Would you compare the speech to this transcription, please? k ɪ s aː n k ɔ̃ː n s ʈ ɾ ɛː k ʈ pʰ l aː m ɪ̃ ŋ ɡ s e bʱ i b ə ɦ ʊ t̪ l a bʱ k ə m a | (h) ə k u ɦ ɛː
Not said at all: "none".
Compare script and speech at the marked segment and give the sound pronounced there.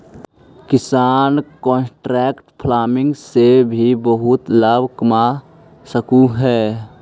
s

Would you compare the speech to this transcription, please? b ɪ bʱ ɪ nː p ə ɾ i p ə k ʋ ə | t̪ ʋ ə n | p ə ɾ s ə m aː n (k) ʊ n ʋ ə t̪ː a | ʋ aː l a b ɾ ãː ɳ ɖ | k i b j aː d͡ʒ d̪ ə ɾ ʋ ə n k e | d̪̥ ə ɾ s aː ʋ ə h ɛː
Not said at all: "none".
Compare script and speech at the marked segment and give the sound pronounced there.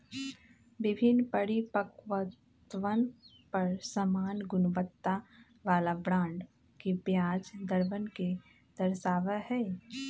ɡ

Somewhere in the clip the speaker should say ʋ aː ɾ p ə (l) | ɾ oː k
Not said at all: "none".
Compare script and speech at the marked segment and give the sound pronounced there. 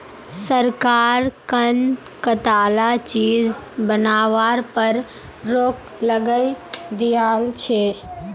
ɾ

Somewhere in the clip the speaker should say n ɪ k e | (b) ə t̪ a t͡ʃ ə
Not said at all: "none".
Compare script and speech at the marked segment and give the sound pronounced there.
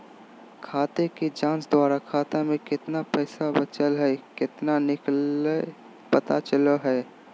p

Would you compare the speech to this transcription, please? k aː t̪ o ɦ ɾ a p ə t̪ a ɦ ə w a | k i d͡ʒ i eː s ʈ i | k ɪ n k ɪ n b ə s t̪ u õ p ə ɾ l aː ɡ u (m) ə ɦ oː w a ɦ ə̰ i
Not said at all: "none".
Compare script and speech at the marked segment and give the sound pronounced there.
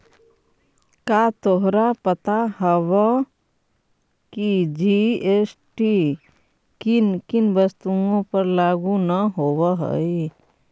n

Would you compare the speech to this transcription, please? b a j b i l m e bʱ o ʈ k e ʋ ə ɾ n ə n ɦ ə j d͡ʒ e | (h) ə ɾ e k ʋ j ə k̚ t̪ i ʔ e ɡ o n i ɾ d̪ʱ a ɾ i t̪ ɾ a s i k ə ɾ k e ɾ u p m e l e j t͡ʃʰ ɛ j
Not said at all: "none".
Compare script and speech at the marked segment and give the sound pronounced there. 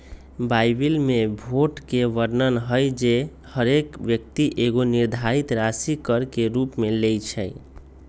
h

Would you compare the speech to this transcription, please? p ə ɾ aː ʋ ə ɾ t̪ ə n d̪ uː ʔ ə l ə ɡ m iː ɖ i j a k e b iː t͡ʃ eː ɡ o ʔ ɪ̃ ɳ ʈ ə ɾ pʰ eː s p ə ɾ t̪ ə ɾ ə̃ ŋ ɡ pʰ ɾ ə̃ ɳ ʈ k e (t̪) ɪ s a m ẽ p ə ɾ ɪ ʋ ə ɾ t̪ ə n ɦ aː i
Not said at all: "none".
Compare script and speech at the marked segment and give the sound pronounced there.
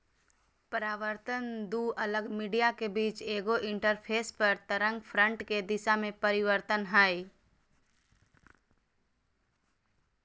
d̪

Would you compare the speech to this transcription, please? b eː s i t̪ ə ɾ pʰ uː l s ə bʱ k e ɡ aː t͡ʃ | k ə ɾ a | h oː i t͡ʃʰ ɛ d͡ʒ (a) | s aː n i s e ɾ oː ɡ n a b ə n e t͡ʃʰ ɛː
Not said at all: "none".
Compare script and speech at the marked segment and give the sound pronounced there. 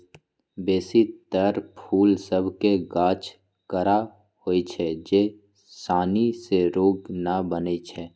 e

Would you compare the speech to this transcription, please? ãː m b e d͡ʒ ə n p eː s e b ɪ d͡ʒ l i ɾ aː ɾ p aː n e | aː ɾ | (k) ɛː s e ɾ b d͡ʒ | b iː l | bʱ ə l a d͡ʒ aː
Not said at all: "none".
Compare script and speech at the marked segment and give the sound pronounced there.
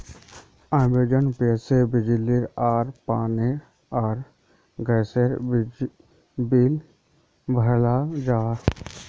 ɡ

